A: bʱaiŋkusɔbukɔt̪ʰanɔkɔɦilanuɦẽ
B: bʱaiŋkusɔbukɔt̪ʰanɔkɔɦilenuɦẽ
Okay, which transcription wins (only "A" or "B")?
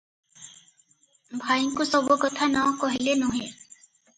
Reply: B